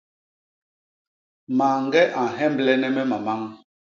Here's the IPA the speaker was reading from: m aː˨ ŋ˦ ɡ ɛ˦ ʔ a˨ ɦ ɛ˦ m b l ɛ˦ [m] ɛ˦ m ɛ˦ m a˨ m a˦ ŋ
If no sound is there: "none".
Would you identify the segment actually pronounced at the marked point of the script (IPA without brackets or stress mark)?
n